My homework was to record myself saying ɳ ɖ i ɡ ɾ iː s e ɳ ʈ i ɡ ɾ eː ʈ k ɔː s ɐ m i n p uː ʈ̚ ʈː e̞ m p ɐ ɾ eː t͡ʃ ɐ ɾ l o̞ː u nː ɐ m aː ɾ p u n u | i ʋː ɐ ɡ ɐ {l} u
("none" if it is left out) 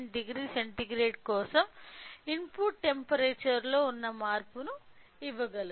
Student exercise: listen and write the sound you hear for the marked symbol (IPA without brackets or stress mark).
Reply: l